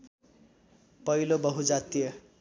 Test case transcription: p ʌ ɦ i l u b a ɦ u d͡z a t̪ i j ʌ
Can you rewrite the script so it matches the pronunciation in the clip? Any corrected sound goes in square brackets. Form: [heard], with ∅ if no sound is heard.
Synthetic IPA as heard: p ʌ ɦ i l [o] b [ʌ] ɦ u d͡z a t̪ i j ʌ